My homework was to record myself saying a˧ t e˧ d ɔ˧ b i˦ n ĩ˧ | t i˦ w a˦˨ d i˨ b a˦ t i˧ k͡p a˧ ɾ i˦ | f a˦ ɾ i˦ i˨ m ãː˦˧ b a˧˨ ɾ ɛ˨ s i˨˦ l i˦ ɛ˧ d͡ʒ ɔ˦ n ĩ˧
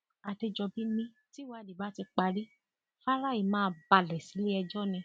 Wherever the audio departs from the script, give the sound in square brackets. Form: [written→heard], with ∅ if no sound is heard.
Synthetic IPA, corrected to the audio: a˧ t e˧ [d→d͡ʒ] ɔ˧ b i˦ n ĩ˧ | t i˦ w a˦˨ d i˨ b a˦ t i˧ k͡p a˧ ɾ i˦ | f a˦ ɾ [i˦→a˦] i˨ m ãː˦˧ b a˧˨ [ɾ→l] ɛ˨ s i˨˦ l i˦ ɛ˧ d͡ʒ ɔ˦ n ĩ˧